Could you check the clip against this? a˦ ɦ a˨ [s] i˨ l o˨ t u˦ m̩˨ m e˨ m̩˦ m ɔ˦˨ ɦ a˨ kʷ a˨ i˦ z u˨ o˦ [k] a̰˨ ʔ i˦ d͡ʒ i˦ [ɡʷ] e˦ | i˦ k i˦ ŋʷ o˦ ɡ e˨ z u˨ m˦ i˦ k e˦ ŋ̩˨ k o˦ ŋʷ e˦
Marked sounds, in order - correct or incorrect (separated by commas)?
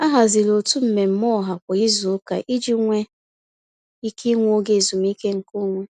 incorrect, correct, incorrect